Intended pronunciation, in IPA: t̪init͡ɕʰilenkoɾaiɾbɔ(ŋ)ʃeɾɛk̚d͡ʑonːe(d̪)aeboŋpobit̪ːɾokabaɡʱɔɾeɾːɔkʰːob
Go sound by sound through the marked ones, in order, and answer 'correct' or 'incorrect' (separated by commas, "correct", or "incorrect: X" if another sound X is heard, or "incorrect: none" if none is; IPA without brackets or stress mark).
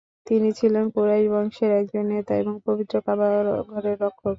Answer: correct, incorrect: t̪